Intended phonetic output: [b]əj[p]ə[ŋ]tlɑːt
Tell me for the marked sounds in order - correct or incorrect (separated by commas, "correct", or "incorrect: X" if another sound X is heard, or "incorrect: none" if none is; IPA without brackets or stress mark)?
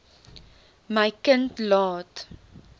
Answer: incorrect: m, incorrect: k, incorrect: n